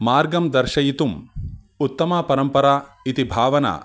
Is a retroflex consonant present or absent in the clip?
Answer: absent